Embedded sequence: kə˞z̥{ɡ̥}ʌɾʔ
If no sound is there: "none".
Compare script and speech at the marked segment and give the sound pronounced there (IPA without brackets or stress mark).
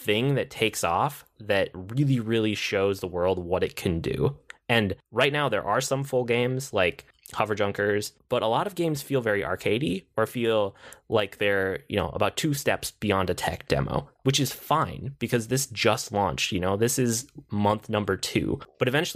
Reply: b̥